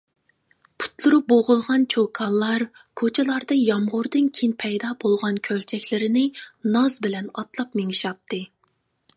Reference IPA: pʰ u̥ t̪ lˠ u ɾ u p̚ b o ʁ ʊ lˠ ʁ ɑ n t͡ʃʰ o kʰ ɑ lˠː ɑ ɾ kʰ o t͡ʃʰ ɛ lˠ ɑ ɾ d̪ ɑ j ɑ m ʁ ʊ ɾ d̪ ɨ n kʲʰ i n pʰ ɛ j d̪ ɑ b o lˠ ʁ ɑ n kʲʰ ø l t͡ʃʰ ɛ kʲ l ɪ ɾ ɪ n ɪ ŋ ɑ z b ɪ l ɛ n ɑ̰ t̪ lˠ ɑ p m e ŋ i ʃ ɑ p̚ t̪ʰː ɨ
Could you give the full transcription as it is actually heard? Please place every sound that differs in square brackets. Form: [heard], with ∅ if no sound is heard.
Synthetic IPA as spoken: pʰ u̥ t̪ lˠ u ɾ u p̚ b o ʁ ʊ lˠ ʁ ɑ n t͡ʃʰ o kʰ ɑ lˠː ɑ ɾ kʰ o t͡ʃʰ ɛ lˠ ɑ ɾ d̪ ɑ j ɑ m ʁ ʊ ɾ d̪ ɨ n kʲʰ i n pʰ ɛ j d̪ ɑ b o lˠ ʁ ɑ n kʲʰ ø l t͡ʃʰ ɛ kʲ l ɪ ɾ ɪ n ɪ [n] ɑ z b ɪ l ɛ n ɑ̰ t̪ lˠ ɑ p m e ŋ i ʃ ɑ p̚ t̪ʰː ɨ